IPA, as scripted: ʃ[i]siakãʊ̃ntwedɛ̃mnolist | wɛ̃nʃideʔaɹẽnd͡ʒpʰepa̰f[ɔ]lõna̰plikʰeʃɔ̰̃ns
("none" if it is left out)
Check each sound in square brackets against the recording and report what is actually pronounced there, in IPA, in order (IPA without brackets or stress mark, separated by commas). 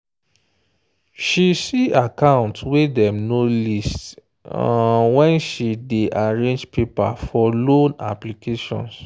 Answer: i, ɔ